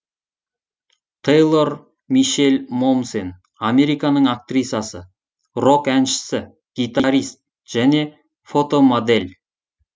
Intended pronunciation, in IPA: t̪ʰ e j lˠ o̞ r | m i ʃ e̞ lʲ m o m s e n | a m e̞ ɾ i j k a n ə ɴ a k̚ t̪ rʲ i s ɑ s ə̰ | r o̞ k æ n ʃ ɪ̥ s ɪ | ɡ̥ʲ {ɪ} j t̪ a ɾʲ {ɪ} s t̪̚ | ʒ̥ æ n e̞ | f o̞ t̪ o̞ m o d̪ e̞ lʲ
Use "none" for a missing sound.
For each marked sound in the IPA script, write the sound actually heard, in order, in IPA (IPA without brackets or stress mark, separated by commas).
i, i